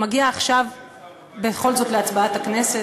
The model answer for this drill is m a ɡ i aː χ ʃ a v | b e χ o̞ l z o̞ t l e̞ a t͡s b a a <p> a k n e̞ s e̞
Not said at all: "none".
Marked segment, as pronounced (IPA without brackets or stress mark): t